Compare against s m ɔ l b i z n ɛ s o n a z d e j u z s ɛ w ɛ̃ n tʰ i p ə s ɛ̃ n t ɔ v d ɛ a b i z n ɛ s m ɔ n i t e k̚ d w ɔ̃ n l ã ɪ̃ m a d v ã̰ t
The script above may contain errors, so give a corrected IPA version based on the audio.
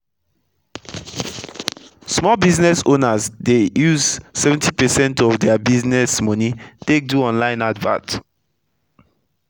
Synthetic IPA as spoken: s m ɔ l b i z n ɛ s o n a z d e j u z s ɛ v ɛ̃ n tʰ i p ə s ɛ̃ n t ɔ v d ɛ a b i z n ɛ s m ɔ n i t e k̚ d u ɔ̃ n l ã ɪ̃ n a d v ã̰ t